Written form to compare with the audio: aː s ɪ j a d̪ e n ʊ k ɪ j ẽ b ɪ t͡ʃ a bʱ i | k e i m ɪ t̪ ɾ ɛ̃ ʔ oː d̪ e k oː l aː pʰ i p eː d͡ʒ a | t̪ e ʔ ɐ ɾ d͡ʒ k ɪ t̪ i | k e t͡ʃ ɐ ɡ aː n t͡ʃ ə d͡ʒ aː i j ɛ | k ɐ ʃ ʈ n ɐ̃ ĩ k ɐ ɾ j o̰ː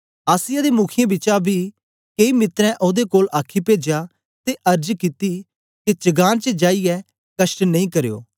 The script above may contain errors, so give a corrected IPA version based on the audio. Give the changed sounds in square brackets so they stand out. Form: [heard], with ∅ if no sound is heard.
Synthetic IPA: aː s ɪ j a d̪ e [m] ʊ [kʰ] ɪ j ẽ b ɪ t͡ʃ a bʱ i | k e i m ɪ t̪ ɾ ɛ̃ ʔ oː d̪ e k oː l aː [kʰ] i p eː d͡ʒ a | t̪ e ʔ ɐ ɾ d͡ʒ k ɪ t̪ i | k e t͡ʃ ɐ ɡ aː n t͡ʃ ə d͡ʒ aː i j ɛ | k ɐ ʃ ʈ n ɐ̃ ĩ k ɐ ɾ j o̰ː